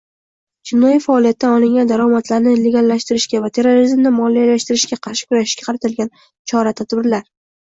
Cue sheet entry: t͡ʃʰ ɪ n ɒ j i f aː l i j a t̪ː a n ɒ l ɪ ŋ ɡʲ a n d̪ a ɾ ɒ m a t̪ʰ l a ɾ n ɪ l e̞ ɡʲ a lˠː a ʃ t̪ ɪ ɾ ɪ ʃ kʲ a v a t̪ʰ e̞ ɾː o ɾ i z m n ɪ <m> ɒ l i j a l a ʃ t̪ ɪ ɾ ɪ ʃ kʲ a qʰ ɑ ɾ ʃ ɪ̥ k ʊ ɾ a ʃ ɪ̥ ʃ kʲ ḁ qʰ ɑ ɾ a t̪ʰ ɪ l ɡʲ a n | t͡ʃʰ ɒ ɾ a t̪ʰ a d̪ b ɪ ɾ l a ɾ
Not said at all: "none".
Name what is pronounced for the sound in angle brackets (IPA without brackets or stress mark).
m